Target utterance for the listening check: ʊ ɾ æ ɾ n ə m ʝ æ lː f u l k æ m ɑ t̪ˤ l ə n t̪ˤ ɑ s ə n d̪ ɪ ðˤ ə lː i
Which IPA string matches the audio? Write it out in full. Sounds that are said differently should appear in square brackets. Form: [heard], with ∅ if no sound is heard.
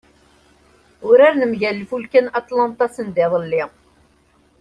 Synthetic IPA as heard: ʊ ɾ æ ɾ n ə m ʝ æ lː f u l k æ [n] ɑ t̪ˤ l [ɑ] n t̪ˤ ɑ s ə n d̪ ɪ ðˤ ə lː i